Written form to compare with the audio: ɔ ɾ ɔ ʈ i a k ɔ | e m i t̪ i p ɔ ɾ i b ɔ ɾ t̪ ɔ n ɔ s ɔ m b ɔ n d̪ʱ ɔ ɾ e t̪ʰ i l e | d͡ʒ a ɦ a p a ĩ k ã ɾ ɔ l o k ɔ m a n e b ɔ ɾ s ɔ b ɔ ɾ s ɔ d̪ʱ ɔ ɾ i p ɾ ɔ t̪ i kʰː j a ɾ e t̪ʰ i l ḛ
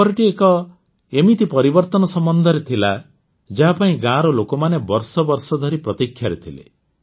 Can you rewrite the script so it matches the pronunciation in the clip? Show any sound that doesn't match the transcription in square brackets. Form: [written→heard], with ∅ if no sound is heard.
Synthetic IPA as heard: ɔ ɾ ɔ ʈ i [a→e] k ɔ | e m i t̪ i p ɔ ɾ i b ɔ ɾ t̪ ɔ n ɔ s ɔ m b ɔ n d̪ʱ ɔ ɾ e t̪ʰ i l [e→a] | d͡ʒ a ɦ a p a ĩ [k→ɡ] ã ɾ ɔ l o k ɔ m a n e b ɔ ɾ s ɔ b ɔ ɾ s ɔ d̪ʱ ɔ ɾ i p ɾ ɔ t̪ i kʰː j a ɾ e t̪ʰ i l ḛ